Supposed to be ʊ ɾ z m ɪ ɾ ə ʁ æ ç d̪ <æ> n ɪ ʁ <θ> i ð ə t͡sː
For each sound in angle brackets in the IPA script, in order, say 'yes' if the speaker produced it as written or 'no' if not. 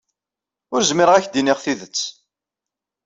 no, yes

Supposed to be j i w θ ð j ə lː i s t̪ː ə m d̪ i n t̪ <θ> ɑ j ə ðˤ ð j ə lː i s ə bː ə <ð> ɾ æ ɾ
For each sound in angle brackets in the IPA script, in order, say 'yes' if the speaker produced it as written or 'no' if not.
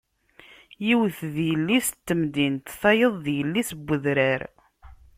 yes, yes

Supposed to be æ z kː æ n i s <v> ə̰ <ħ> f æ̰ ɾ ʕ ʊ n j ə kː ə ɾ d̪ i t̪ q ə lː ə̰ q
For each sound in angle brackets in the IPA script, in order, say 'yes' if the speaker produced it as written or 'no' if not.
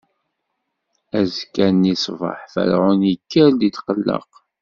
yes, yes

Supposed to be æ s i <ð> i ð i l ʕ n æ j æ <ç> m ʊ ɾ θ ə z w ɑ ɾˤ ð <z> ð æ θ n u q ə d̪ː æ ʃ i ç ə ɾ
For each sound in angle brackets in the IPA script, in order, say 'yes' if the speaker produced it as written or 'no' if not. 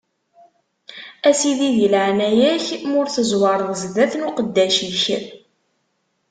yes, yes, yes

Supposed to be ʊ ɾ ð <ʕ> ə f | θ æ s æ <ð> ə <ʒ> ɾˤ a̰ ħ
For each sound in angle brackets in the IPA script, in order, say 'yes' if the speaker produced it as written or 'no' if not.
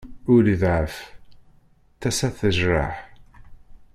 yes, no, yes

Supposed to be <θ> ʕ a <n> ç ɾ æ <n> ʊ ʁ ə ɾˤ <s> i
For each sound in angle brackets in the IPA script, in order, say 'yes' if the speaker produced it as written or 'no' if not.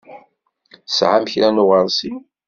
no, no, yes, yes

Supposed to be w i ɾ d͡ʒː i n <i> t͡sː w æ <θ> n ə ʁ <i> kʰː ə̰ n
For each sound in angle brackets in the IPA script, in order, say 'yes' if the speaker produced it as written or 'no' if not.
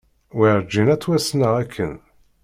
no, no, no

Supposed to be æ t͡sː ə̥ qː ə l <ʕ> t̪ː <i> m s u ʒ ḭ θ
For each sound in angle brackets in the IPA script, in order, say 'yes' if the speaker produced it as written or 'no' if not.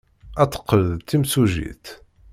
no, yes

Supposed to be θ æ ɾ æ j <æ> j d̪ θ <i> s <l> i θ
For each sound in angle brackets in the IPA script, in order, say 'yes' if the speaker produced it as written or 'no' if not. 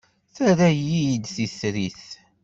no, yes, no

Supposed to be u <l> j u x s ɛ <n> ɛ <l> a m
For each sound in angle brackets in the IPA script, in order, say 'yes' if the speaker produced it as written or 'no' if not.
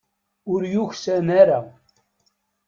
no, yes, no

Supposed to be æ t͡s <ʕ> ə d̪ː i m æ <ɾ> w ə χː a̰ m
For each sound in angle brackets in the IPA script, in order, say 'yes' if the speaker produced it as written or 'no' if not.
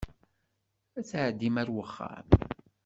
yes, yes

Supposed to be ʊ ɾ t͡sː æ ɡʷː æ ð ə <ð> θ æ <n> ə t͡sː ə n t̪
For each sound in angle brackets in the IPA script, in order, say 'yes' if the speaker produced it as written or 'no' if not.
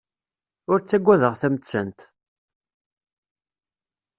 no, no

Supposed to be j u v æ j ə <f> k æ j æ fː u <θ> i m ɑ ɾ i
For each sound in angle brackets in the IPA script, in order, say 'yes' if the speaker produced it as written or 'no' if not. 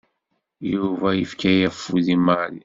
yes, no

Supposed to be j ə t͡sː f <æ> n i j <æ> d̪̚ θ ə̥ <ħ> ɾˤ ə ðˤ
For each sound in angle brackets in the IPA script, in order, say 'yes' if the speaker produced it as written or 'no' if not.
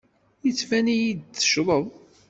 yes, no, no

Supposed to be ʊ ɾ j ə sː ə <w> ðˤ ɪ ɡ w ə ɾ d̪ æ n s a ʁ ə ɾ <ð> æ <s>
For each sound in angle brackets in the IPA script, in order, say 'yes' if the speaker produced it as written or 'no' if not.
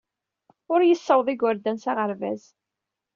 yes, no, no

